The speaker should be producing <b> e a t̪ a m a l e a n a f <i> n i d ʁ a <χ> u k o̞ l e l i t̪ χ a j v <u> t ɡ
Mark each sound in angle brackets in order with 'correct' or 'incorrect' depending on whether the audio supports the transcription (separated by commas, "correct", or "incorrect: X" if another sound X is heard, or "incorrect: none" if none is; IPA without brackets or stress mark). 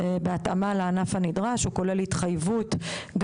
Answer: correct, incorrect: a, incorrect: ʃ, correct